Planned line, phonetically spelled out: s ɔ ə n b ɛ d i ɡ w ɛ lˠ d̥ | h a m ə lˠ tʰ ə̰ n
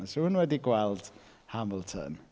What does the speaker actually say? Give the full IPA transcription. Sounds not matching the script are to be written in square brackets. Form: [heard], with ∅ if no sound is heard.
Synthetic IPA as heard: s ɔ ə n [w] ɛ d i ɡ w ɛ lˠ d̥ | h a m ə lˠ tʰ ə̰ n

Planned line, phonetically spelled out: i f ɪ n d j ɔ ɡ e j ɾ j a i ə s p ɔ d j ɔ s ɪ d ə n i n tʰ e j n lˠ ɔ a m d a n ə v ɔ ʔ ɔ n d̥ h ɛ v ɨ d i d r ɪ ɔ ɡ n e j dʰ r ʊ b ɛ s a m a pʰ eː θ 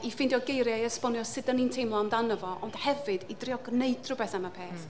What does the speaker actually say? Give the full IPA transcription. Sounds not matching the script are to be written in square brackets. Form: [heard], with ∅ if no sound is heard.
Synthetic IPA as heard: i f ɪ n d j ɔ ɡ e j ɾ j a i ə s p ɔ [n] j ɔ s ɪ d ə n i n tʰ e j [m] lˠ ɔ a m d a n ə v ɔ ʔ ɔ n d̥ h ɛ v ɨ d i d r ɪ ɔ ɡ n e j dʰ r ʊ b ɛ [θ] a m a pʰ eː θ

